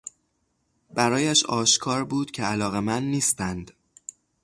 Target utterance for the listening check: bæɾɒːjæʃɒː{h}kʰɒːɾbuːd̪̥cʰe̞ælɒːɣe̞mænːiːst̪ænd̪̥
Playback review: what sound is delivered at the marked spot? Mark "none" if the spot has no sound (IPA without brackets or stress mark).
ʃ